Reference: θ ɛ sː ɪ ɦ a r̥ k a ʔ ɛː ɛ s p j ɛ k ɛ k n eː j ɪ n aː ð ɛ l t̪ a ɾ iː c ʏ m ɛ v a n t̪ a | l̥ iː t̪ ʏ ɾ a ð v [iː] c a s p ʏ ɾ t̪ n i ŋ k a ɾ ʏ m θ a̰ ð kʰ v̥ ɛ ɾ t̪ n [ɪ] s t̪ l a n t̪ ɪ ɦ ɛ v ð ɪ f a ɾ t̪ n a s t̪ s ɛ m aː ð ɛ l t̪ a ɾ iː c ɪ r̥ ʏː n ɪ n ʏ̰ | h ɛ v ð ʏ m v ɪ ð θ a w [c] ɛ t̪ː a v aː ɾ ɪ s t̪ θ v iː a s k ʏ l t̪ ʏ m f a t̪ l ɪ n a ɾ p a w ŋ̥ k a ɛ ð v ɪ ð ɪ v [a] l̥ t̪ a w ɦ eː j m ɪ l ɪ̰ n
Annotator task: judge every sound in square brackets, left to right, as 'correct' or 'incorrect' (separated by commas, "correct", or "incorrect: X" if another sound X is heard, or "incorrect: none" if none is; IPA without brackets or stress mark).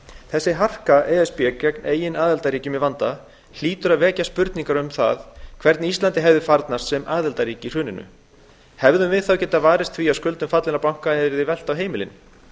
incorrect: ɛː, incorrect: i, correct, incorrect: ɛ